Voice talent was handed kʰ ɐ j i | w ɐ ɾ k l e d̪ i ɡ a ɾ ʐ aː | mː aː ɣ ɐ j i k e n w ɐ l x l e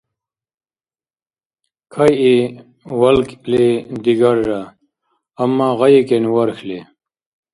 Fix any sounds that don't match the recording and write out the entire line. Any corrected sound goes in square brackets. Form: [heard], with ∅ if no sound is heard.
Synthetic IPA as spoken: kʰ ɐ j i | w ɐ [l] k l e d̪ i ɡ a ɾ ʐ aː | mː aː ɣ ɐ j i k e n w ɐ [ɾ] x l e